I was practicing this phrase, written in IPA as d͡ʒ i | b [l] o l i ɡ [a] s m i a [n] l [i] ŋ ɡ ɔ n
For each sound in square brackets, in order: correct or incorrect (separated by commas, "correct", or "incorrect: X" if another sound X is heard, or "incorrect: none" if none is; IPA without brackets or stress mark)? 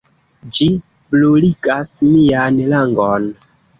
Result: correct, correct, correct, incorrect: a